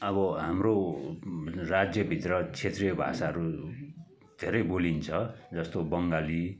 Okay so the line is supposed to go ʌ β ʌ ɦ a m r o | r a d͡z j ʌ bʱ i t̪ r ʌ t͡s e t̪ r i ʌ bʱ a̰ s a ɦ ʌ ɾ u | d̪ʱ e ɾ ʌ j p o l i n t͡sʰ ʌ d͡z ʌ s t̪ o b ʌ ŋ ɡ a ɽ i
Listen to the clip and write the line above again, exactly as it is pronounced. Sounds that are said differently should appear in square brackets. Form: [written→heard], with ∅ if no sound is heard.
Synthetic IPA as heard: ʌ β ʌ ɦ a m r o | r a d͡z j ʌ bʱ i t̪ r ʌ [t͡s→t͡sʰ] e t̪ r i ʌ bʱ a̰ s a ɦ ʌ ɾ u | d̪ʱ e ɾ ʌ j [p→b] o l i n t͡sʰ ʌ d͡z ʌ s t̪ o b ʌ ŋ ɡ a [ɽ→l] i